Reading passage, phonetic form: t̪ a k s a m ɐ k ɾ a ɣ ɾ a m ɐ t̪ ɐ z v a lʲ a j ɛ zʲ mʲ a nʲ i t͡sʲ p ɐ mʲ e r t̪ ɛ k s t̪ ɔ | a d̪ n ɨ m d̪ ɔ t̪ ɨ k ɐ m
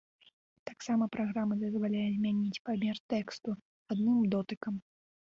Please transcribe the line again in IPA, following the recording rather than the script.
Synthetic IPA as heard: t̪ a k s a m ɐ p ɾ a ɣ ɾ a m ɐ d̪ ɐ z v a lʲ a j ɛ zʲ mʲ a nʲ i t͡sʲ p a mʲ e r t̪ ɛ k s t̪ u | a d̪ n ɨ m d̪ ɔ t̪ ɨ k ɐ m